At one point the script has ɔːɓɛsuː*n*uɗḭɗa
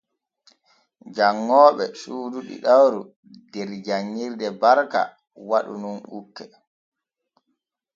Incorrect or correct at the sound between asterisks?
incorrect: d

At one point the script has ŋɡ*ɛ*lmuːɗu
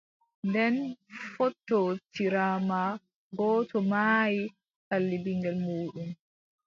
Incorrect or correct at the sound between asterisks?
correct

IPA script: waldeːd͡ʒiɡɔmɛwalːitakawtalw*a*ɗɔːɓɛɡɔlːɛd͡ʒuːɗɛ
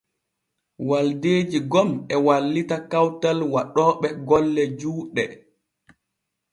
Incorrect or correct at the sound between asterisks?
correct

